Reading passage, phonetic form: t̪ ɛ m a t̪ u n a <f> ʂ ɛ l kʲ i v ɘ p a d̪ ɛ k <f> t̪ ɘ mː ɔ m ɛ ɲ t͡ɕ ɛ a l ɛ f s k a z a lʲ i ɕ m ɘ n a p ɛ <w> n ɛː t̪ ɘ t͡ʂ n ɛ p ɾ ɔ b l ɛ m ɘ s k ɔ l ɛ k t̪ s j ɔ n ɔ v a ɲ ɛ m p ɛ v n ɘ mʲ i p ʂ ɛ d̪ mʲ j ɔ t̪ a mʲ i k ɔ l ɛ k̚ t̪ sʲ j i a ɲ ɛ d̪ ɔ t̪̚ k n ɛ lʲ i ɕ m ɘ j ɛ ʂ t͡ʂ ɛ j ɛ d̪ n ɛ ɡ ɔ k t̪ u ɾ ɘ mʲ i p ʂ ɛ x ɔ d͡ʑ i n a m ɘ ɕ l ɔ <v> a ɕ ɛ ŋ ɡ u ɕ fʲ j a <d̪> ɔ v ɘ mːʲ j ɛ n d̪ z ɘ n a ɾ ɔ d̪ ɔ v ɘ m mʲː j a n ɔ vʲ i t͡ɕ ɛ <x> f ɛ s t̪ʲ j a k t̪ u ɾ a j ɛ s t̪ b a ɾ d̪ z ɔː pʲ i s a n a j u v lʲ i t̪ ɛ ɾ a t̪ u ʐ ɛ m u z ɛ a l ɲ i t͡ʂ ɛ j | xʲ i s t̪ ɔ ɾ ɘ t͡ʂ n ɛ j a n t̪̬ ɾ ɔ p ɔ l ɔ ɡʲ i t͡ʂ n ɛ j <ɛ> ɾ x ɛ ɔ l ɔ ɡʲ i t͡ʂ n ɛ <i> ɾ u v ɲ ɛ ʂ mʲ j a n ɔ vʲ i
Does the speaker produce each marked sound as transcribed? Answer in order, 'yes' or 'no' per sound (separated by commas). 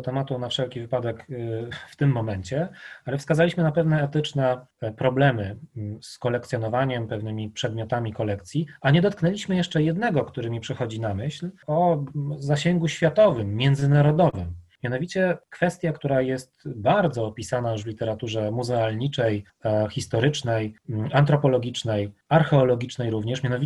yes, yes, no, no, no, no, no, no